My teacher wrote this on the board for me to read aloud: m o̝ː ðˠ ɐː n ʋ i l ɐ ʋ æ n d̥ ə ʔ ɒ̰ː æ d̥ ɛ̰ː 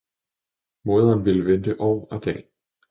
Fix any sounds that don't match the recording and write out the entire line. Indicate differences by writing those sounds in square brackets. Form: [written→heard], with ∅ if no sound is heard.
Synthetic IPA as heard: m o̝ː ðˠ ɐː n ʋ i l [ɐ→ə] ʋ [æ→e] n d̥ ə ʔ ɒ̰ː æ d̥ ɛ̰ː